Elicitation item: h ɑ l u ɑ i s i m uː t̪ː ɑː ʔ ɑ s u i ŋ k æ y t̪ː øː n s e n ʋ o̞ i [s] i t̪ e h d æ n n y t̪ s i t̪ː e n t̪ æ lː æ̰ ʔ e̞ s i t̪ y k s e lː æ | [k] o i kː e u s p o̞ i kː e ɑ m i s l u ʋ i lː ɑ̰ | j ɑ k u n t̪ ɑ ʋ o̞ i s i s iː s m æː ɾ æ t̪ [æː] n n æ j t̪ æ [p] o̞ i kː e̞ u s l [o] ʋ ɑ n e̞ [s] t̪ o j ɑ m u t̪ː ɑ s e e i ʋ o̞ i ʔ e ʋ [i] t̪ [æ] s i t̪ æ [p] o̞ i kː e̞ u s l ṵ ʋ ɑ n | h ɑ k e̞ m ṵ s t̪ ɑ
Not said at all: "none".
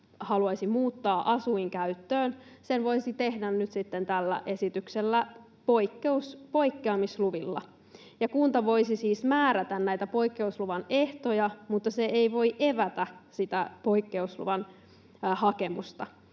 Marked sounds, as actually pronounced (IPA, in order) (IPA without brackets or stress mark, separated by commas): s, p, æ, p, u, h, æ, æ, p